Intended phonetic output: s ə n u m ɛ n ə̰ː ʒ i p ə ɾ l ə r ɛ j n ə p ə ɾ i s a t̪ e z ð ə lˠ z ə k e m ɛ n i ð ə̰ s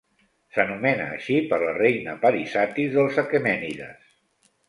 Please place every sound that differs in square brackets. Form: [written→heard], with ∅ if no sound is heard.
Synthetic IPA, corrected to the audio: s ə n u m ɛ n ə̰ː [ʒ→ʃ] i p ə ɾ l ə r [ɛ→e] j n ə p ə ɾ i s a t̪ [e→i] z ð ə lˠ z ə k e m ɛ n i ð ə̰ s